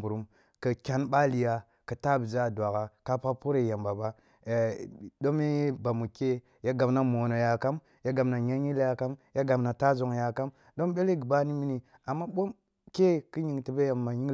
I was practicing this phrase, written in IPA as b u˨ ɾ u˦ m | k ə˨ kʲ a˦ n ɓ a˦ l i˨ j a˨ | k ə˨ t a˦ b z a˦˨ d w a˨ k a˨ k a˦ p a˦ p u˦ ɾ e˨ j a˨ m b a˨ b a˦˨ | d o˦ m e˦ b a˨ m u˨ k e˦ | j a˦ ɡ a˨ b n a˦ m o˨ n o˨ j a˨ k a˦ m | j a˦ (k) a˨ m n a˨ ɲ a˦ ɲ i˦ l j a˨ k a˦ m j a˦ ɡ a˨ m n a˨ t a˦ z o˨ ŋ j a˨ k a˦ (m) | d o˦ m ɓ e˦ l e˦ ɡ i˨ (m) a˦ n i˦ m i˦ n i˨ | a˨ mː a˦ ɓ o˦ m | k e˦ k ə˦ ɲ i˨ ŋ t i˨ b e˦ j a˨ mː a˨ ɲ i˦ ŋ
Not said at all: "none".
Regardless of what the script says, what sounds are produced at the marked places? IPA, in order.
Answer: ɡ, m, b

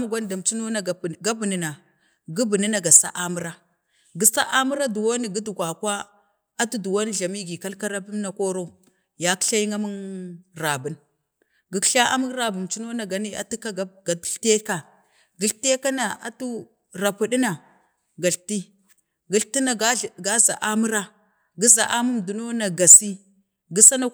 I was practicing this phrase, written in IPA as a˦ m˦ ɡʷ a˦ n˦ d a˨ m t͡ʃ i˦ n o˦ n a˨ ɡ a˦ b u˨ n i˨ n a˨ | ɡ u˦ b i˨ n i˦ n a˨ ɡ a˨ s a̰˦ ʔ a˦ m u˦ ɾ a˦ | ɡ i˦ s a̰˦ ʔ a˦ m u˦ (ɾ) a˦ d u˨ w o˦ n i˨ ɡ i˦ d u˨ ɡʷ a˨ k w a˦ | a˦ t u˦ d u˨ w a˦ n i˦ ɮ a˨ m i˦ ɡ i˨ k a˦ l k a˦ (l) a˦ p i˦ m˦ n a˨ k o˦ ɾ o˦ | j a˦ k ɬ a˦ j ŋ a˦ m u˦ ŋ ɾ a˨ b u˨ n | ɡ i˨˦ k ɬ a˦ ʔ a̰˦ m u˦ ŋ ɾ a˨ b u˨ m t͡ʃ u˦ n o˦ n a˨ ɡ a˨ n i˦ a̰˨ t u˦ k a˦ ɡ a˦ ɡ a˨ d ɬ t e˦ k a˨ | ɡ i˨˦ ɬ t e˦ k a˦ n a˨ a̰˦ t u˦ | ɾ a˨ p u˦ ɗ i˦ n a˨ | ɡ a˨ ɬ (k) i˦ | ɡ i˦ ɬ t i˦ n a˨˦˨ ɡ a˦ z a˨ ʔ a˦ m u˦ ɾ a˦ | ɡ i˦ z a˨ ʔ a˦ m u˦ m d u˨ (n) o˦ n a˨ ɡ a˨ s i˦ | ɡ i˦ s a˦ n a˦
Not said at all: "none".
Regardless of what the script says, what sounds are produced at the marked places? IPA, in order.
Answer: ɾ, ɾ, t, n

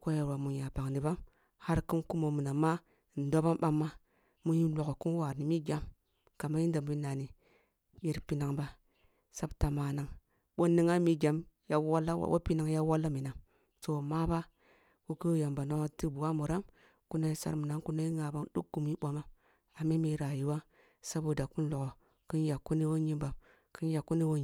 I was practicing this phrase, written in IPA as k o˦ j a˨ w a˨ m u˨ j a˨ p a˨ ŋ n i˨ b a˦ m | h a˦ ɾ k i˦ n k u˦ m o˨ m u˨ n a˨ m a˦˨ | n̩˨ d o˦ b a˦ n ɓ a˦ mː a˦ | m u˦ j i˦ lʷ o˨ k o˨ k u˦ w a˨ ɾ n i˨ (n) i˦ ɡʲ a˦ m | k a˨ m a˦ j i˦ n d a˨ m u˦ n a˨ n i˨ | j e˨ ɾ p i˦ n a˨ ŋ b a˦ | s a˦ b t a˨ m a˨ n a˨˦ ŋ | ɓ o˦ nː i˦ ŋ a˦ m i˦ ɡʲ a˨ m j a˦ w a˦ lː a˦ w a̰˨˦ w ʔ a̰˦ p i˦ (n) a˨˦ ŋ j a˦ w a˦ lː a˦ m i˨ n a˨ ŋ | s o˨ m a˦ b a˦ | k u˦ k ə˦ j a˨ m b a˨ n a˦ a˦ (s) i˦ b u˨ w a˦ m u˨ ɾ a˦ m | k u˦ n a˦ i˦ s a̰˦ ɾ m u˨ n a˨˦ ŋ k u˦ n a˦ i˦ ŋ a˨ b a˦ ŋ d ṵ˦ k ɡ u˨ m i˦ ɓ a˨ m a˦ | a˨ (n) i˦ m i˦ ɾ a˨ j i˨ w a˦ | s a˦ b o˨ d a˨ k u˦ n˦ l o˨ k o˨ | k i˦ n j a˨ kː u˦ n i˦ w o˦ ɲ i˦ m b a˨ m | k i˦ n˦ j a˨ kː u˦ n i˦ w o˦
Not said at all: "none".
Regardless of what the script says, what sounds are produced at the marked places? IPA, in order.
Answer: m, n, t, m

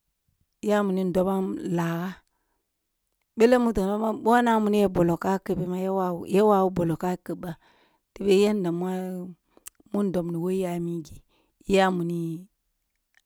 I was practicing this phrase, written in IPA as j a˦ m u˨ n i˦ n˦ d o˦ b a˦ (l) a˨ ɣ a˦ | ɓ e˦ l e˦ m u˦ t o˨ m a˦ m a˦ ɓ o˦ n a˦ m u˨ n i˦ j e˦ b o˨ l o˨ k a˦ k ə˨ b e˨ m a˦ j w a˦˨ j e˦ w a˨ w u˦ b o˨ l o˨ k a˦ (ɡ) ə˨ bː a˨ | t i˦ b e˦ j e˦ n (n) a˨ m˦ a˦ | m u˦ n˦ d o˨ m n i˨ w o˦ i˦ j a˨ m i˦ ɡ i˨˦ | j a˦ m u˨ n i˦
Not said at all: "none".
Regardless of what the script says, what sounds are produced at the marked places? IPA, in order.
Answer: l, k, d

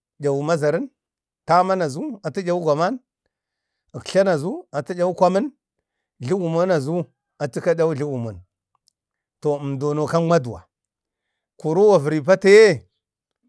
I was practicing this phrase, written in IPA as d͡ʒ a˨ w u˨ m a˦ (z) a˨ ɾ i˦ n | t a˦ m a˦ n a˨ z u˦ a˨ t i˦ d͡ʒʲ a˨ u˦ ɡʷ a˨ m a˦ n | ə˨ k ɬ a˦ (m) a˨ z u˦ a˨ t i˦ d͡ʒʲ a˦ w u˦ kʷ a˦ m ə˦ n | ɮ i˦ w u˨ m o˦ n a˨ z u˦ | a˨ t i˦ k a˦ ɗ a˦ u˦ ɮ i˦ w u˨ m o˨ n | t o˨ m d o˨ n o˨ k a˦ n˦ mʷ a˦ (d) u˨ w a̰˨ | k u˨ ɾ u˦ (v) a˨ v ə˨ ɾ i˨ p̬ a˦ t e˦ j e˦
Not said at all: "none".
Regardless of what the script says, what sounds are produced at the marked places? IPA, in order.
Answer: z, n, d, w

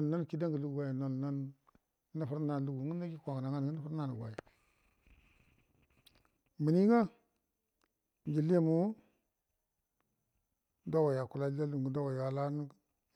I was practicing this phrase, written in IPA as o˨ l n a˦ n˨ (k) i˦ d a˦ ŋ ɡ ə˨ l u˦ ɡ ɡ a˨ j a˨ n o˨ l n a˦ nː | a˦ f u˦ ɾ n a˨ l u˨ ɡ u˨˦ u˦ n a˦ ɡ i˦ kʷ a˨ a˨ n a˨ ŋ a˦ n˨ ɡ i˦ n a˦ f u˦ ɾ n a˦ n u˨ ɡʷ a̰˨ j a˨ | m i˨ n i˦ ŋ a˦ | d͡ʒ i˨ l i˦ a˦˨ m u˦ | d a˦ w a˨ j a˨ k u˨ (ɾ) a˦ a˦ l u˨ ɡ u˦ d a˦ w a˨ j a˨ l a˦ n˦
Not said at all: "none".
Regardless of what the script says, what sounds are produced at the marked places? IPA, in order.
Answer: k, l

